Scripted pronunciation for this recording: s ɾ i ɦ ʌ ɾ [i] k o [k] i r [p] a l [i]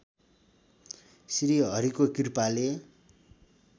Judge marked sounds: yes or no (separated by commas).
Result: yes, yes, yes, no